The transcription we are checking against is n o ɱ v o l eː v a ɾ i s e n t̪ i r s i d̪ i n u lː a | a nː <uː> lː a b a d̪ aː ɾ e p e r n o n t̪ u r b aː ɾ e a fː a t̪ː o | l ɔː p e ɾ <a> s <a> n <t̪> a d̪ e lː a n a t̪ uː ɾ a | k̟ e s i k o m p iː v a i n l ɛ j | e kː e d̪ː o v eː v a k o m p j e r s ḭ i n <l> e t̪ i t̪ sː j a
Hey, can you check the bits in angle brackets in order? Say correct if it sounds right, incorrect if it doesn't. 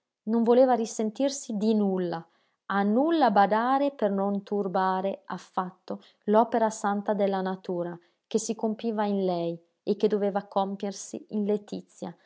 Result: incorrect: u, correct, correct, correct, correct

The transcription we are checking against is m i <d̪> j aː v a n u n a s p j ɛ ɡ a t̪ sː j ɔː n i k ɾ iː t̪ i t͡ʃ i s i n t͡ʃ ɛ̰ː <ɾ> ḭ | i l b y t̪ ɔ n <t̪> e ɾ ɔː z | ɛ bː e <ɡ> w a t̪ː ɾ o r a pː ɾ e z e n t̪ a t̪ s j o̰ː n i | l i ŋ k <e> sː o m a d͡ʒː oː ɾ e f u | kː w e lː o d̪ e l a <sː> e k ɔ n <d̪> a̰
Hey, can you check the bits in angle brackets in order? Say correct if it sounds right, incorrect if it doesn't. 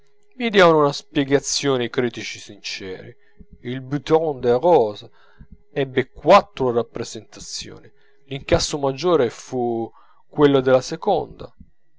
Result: correct, correct, incorrect: d̪, incorrect: k, incorrect: a, incorrect: s, correct

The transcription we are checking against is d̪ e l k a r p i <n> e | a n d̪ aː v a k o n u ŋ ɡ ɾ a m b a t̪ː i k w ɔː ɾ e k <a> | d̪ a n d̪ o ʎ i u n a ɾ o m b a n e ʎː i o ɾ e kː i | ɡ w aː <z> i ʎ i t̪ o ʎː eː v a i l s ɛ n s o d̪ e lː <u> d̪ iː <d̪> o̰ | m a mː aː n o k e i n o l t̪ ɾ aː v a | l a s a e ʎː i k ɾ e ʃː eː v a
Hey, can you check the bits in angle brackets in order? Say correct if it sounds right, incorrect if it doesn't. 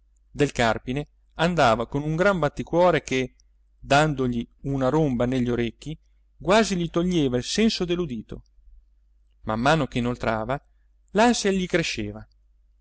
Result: correct, incorrect: e, correct, correct, incorrect: t̪

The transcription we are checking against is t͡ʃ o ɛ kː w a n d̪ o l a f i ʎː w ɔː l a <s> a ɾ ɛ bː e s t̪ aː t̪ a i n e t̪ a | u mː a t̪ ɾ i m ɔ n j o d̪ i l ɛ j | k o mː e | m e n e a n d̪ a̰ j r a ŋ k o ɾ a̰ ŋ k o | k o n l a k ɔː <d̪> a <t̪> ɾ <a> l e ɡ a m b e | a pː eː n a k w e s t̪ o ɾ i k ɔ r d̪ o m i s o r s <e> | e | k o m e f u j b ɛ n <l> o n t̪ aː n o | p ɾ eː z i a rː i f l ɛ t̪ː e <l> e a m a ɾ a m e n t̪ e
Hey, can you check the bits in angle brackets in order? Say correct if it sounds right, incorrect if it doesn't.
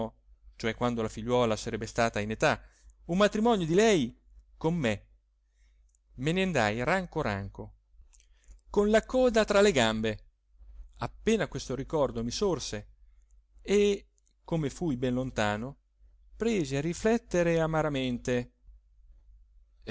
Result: correct, correct, correct, correct, correct, correct, incorrect: ɾ

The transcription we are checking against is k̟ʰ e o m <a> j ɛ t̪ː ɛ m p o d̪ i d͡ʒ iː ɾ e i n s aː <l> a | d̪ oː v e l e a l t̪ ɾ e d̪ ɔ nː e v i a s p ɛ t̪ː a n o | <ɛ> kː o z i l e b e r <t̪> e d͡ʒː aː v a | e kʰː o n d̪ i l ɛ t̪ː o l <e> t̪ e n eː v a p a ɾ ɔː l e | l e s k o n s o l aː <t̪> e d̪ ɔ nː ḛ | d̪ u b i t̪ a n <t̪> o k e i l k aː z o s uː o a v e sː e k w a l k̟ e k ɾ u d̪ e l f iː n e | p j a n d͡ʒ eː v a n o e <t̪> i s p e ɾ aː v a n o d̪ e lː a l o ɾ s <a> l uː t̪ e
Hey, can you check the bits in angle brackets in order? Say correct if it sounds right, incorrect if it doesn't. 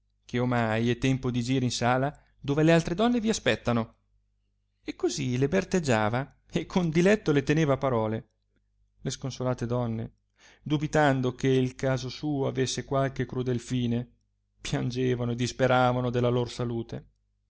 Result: correct, correct, incorrect: e, correct, correct, correct, incorrect: d̪, incorrect: d̪, correct

